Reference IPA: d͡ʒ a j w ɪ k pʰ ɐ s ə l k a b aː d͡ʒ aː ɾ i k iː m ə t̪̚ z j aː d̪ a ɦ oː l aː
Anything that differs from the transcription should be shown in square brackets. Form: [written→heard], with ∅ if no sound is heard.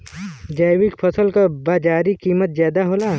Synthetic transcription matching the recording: d͡ʒ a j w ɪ k pʰ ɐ s ə l k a b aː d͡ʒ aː ɾ i k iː m ə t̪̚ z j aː d̪ a ɦ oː l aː

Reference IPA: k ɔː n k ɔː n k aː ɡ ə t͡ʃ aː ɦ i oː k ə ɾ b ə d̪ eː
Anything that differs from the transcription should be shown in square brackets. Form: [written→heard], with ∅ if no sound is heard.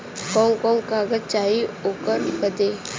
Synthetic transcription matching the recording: k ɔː [n→ŋ] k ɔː [n→ŋ] k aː ɡ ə t͡ʃ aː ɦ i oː k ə ɾ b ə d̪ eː

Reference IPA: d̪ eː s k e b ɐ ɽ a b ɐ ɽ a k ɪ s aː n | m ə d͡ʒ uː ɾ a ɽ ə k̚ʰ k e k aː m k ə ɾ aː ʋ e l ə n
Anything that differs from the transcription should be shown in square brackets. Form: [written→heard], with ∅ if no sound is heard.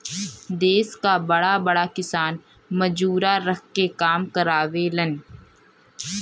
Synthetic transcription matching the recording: d̪ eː s k [e→a] b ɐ ɽ a b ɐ ɽ a k ɪ s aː n | m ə d͡ʒ uː ɾ a [ɽ→ɾ] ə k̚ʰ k e k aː m k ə ɾ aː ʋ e l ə n

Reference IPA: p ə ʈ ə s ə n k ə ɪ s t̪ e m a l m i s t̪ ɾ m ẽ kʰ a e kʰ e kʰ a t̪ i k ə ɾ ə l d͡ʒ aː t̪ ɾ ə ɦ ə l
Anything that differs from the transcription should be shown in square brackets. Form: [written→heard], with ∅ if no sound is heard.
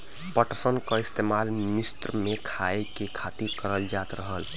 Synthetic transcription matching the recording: p ə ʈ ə s ə n k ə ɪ s t̪ e m a l m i s t̪ ɾ m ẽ kʰ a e [kʰ→k] e kʰ a t̪ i k ə ɾ ə l d͡ʒ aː t̪ ɾ ə ɦ ə l

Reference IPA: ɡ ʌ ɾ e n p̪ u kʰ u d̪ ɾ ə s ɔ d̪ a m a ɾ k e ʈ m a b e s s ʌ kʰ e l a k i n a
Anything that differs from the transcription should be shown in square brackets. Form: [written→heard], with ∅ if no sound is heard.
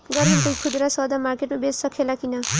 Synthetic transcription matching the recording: ɡ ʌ ɾ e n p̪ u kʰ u d̪ ɾ [ə→a] s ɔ d̪ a m a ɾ k e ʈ m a b e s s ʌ kʰ e l a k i n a

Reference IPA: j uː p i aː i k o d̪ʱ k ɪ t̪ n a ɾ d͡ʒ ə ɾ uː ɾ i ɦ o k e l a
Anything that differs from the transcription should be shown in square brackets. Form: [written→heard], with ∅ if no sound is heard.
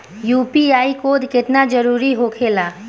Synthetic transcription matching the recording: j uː p i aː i k o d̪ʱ k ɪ t̪ n a [ɾ→∅] d͡ʒ ə ɾ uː ɾ i ɦ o [k→kʰ] e l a

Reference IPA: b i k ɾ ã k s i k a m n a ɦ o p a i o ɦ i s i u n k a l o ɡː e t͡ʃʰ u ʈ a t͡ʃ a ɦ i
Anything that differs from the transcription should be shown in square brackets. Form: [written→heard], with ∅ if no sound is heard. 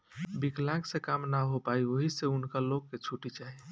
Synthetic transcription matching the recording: b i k [ɾ→l] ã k s [i→e] k a m n a ɦ o p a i o ɦ i s [i→e] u n k a l o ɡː e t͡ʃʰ u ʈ [a→i] t͡ʃ a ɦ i

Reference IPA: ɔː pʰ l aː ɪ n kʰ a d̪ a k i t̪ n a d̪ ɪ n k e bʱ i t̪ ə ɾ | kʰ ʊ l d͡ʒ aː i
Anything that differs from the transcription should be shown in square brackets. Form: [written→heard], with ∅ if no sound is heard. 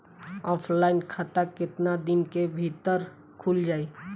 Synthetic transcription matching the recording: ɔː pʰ l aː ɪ n kʰ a [d̪→t̪] a k [i→ɪ] t̪ n a d̪ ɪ n k e bʱ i t̪ ə ɾ | kʰ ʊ l d͡ʒ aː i

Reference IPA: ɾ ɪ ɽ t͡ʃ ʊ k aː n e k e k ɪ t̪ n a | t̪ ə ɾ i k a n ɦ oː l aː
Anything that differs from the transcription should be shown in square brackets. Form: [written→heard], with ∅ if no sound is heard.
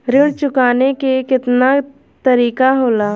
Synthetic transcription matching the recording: ɾ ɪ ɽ t͡ʃ ʊ k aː n e k e k ɪ t̪ n a | t̪ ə ɾ [i→iː] k a [n→∅] ɦ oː l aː

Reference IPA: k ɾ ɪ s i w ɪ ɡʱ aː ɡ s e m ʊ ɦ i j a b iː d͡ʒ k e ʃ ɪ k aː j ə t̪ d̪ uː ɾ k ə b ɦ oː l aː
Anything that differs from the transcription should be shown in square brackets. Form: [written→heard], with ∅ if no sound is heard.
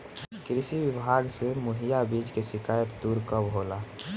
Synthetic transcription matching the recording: k ɾ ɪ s i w ɪ [ɡʱ→bʱ] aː ɡ s e m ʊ ɦ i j a b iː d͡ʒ k e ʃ ɪ k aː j ə t̪ d̪ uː ɾ k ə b ɦ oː l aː

